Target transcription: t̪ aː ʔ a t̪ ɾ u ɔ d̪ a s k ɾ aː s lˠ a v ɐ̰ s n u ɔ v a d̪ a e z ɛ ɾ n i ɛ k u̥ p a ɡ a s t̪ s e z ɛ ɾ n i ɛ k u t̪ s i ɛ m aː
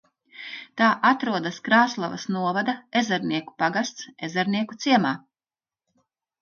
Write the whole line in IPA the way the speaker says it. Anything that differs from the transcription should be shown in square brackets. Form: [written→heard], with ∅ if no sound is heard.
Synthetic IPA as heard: t̪ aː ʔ a t̪ ɾ u ɔ d̪ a s k ɾ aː s lˠ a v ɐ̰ s n u ɔ v a d̪ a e z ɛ ɾ n i ɛ k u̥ p a ɡ a s t̪ s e z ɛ ɾ n i ɛ k u t̪ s i ɛ m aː